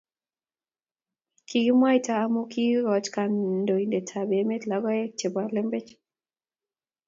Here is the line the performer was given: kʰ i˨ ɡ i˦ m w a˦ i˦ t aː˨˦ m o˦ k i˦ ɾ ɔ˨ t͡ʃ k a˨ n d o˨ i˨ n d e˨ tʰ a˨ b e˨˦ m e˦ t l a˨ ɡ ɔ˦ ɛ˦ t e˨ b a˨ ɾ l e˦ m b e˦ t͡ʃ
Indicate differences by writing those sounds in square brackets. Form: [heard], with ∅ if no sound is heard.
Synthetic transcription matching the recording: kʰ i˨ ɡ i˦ m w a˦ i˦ t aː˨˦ m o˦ k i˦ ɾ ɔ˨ t͡ʃ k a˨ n d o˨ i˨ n d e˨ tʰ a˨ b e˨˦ m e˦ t l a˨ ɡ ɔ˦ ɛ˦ [t͡ʃ] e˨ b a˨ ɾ l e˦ m b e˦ t͡ʃ